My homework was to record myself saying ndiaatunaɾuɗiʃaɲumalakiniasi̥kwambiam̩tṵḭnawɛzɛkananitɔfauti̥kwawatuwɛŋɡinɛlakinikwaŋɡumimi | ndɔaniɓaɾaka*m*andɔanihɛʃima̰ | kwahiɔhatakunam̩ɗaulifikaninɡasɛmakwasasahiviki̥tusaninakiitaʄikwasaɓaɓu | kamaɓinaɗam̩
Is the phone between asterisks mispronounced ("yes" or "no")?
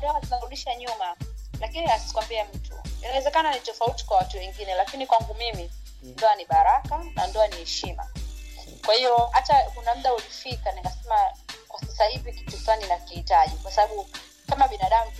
yes